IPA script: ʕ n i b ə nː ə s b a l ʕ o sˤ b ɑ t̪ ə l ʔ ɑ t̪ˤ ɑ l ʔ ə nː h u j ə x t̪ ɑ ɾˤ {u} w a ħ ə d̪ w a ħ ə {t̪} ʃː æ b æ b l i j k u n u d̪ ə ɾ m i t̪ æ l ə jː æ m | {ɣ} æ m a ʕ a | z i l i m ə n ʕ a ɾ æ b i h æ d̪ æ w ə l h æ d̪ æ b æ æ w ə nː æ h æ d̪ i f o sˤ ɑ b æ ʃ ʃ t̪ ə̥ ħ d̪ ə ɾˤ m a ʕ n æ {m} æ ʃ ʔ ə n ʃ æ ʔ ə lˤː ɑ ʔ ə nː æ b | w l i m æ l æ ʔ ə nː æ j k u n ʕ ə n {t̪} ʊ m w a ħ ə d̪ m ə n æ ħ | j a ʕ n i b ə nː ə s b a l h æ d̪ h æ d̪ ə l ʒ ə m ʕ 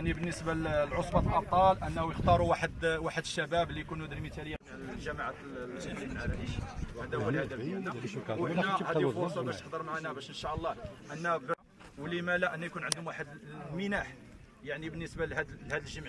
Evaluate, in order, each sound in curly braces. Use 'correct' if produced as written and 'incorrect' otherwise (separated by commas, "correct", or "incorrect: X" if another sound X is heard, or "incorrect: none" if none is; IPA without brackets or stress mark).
correct, incorrect: d̪, incorrect: ʒ, incorrect: b, incorrect: d̪